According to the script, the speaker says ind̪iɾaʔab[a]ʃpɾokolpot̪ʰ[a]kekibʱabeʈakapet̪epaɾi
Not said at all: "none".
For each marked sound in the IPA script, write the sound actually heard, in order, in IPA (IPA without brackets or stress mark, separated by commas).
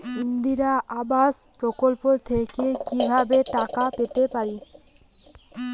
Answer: a, e